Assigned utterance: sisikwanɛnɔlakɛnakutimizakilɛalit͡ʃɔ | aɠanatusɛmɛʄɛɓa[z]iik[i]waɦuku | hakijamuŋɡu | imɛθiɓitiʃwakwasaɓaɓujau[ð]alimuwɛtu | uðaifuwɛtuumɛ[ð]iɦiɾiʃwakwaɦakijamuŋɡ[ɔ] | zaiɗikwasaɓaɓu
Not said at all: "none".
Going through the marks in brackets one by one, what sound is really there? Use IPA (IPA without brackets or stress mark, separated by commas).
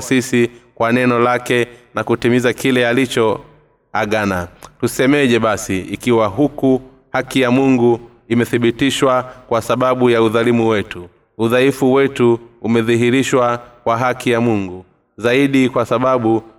s, i, ð, ð, u